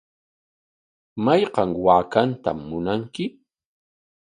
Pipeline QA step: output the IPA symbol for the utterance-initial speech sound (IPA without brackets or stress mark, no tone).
m